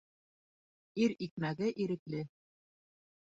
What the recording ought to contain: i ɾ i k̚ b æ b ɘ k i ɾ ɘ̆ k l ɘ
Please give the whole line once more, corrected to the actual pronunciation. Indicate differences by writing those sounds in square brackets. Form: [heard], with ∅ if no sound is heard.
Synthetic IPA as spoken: i ɾ i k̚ [m] æ [ɡ] ɘ [ʔ] i ɾ ɘ̆ k l ɘ